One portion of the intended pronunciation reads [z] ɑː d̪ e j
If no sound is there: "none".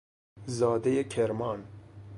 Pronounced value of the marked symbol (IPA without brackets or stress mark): z